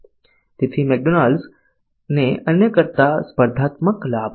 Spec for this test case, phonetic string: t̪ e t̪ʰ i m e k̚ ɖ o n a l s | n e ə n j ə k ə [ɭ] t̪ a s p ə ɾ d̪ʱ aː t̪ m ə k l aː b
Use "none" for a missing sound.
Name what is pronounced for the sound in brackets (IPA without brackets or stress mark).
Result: ɾ